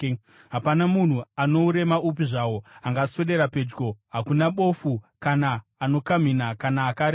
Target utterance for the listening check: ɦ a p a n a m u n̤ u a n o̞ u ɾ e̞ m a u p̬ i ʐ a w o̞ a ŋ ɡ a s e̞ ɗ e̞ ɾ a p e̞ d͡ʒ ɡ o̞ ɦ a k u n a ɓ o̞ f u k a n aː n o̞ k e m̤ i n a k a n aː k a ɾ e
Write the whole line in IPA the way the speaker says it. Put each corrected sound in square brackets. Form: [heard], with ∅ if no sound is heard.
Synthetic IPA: ɦ a p a n a m u n̤ u a n o̞ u ɾ e̞ m a u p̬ i ʐ a w o̞ a ŋ ɡ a s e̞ ɗ e̞ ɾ a p e̞ d͡ʒ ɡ o̞ ɦ a k u n a ɓ o̞ f u k a n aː n o̞ k [a] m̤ i n a k a n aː k a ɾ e

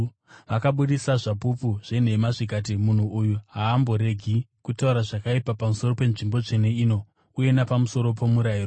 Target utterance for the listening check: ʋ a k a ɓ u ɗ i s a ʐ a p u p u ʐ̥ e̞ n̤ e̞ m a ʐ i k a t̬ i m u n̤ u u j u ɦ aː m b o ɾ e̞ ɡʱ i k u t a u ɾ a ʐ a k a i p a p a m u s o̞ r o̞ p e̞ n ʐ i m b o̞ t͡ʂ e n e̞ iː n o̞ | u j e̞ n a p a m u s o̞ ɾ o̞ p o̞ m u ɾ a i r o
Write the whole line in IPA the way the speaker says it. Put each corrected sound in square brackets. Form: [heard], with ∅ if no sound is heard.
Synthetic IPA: ʋ a k a ɓ u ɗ i s a ʐ a p u p u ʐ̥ e̞ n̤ e̞ m a ʐ i k a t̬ i m u n̤ u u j u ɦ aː m b o ɾ e̞ ɡʱ i k u t a u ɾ a ʐ a k a i p a p a m u s o̞ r o̞ p e̞ n ʐ i m b o̞ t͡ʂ e n e̞ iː n o̞ | u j e̞ n a p a m u s o̞ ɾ o̞ p o̞ m u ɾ a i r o

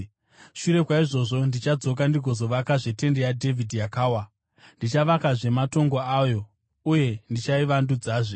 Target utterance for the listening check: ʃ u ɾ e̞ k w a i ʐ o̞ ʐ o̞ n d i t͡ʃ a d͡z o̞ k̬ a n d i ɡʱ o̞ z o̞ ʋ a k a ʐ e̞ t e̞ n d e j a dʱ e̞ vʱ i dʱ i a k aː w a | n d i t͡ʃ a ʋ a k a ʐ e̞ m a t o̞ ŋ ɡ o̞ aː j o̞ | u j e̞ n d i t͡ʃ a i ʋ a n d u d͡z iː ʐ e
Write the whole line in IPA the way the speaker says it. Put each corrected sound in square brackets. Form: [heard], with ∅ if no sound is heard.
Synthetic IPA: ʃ u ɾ e̞ k w a i ʐ o̞ ʐ o̞ n d i t͡ʃ a d͡z o̞ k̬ a n d i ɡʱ o̞ z o̞ ʋ a k a ʐ e̞ t e̞ n d e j a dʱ e̞ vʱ i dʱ [j] a k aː w a | n d i t͡ʃ a ʋ a k a ʐ e̞ m a t o̞ ŋ ɡ o̞ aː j o̞ | u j e̞ n d i t͡ʃ a i ʋ a n d u d͡z [aː] ʐ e

